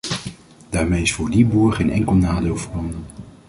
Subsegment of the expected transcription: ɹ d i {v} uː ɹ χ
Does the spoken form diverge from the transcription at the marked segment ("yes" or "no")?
yes